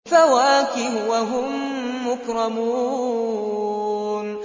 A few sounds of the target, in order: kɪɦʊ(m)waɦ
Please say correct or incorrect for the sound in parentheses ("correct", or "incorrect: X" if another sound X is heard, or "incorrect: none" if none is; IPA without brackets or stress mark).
incorrect: none